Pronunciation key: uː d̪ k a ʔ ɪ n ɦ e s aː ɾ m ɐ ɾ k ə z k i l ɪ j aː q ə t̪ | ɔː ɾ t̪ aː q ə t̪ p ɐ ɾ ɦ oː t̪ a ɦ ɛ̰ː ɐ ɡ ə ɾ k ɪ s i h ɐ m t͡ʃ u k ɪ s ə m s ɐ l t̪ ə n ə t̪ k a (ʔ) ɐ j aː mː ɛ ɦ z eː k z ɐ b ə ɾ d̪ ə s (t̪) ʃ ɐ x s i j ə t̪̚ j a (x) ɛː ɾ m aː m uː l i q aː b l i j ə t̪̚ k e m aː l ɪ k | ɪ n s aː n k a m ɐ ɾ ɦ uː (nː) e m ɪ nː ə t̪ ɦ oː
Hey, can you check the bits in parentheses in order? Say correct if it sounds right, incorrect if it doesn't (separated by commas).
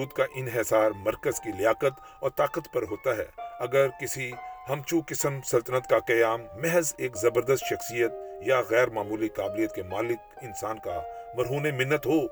incorrect, correct, incorrect, incorrect